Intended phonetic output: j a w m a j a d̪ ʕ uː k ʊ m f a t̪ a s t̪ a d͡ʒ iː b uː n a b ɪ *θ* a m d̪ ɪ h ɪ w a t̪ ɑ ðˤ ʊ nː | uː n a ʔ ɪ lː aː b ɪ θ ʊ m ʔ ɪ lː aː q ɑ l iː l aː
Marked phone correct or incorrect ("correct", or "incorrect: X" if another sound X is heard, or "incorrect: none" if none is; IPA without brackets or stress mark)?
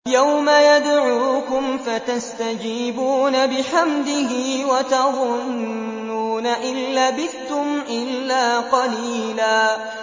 incorrect: ħ